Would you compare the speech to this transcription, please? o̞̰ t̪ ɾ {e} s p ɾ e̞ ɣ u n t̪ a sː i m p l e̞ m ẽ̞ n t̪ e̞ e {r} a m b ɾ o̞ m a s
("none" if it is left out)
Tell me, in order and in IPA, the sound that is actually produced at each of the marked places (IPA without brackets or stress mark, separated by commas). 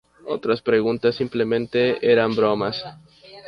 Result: a, ɾ